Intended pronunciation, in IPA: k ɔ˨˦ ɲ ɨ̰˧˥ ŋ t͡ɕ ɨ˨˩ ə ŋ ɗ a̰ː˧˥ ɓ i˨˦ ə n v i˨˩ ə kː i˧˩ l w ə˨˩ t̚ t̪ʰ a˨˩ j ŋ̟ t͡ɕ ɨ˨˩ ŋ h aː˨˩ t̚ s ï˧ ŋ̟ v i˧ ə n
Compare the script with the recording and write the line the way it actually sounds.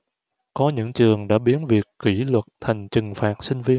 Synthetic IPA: k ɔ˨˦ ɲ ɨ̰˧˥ ŋ t͡ɕ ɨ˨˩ ə ŋ ɗ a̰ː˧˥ ɓ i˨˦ ə n v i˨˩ ə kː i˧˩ l w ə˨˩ t̚ t̪ʰ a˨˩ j ŋ̟ t͡ɕ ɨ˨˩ ŋ f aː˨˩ t̚ s ï˧ ŋ̟ v i˧ ə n